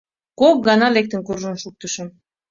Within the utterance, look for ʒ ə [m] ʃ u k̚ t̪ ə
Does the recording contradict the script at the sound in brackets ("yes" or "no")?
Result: yes